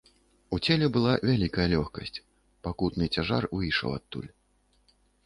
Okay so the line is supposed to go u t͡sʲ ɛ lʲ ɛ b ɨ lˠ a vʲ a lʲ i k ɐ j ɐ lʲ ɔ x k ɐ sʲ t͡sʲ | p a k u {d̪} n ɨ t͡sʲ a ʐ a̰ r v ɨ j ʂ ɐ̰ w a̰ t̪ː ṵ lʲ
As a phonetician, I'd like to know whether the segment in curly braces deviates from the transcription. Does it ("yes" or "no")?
yes